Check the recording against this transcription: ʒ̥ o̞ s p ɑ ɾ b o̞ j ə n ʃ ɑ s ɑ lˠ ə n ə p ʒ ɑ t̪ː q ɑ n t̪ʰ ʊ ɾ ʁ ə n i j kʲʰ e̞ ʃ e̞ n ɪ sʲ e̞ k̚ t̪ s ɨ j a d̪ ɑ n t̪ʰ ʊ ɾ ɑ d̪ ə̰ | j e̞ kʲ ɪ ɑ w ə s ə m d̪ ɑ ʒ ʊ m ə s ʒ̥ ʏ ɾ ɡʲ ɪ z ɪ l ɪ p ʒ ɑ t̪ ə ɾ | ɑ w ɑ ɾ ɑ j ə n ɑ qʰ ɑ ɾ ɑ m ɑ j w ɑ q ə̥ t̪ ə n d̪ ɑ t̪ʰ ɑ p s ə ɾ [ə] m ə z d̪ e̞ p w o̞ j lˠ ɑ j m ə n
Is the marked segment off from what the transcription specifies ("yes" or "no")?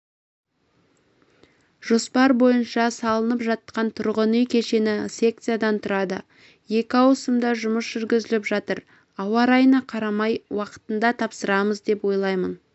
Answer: yes